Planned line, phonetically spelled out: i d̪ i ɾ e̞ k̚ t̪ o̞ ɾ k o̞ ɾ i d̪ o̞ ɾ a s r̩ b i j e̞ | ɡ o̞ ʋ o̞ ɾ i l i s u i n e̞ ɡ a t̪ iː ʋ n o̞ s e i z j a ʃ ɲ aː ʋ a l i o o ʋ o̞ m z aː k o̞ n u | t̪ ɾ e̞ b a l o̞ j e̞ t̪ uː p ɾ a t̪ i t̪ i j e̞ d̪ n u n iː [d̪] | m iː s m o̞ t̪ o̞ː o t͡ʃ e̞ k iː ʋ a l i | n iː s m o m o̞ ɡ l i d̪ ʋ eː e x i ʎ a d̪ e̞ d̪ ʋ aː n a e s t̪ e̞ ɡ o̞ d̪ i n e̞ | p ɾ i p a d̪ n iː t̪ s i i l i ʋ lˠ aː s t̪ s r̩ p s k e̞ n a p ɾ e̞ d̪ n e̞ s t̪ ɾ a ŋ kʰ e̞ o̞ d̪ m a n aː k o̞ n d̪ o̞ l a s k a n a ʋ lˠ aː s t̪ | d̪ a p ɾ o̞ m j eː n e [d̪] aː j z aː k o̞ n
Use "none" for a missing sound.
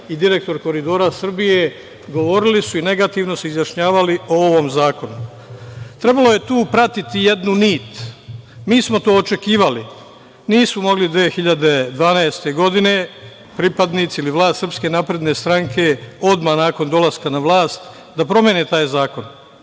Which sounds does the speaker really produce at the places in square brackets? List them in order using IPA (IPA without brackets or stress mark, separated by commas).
t̪, t̪